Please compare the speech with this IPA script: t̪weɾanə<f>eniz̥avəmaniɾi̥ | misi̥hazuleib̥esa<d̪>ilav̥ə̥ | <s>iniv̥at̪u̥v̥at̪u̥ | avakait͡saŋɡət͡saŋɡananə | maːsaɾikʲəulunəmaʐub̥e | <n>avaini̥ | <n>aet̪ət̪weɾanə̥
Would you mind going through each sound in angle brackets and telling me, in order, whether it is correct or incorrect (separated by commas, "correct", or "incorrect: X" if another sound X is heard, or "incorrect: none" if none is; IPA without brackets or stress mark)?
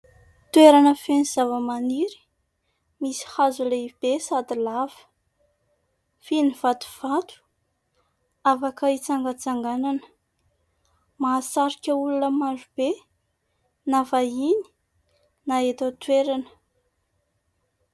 correct, correct, incorrect: f, correct, correct